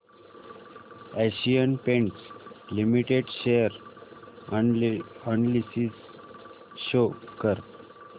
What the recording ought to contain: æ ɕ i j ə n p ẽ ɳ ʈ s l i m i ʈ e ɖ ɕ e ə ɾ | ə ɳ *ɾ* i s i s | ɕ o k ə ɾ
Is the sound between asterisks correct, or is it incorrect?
incorrect